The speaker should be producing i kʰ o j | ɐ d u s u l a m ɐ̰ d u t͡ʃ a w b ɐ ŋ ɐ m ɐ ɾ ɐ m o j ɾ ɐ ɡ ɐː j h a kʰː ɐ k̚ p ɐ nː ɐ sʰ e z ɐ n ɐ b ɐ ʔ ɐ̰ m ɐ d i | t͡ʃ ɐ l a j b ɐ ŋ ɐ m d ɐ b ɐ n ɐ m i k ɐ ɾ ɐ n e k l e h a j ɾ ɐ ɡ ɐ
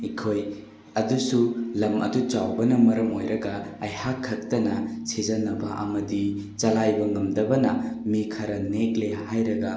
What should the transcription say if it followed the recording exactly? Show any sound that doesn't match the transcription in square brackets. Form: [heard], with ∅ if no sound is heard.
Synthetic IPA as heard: i kʰ o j | ɐ d u s u l [ɐ] m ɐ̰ d u t͡ʃ a w b ɐ [n] ɐ m ɐ ɾ ɐ m o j ɾ ɐ ɡ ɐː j h a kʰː ɐ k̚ [t] ɐ [n] ɐ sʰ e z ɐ n ɐ b ɐ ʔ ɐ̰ m ɐ d i | t͡ʃ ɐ l a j b ɐ ŋ ɐ m d ɐ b ɐ n ɐ m i [kʰ] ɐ ɾ ɐ n e k l e h a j ɾ ɐ ɡ ɐ